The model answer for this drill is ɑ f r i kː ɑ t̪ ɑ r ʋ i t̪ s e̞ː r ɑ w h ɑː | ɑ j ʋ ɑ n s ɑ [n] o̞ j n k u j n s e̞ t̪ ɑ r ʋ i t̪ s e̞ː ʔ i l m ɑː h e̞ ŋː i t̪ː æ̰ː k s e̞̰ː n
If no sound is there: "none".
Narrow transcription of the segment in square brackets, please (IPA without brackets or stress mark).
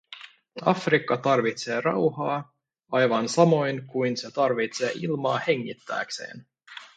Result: m